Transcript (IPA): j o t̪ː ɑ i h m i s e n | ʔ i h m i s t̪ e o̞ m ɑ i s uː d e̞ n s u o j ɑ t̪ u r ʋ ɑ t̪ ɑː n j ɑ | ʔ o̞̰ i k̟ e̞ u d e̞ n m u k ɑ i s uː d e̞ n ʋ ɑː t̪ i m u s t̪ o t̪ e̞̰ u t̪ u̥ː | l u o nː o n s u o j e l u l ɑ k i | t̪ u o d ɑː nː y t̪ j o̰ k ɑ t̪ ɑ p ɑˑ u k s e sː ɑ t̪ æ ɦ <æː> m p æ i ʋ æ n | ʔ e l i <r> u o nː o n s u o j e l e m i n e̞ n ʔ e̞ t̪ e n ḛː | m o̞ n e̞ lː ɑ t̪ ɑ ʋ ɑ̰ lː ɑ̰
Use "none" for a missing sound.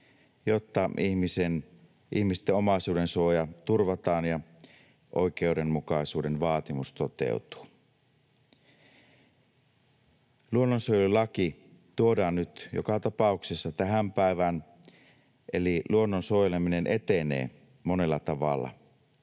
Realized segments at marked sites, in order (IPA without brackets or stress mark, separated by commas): æ, l